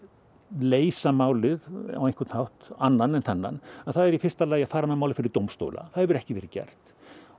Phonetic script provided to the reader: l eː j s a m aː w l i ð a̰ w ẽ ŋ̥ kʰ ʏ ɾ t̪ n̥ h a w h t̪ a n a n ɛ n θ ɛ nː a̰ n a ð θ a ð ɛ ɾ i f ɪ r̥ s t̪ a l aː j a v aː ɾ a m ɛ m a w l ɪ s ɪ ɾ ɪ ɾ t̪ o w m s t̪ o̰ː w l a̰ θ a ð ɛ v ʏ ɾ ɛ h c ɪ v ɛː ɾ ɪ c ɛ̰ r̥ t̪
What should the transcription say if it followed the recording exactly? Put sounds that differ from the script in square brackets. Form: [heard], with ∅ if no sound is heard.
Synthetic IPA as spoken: l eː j s a m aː w l [ɪ] ð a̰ w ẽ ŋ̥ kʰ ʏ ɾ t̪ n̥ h a w h t̪ a [nː] a n ɛ n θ ɛ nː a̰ n a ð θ a ð ɛ ɾ i f ɪ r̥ s t̪ a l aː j a [f] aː ɾ a m ɛ m a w l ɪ [f] ɪ ɾ ɪ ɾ t̪ o w m s t̪ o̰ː w l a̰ θ a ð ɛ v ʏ ɾ ɛ h c ɪ v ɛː ɾ ɪ c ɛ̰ r̥ t̪